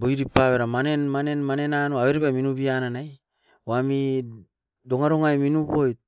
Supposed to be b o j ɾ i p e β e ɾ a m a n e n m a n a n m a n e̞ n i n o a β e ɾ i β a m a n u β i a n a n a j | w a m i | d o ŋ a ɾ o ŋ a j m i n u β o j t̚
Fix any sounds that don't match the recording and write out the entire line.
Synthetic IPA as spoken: b o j ɾ i p a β e ɾ a m a n e n m a n e n m a n e̞ n a n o a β e ɾ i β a m i n u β i a n a n a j | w a m i | d o ŋ a ɾ o ŋ a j m i n u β o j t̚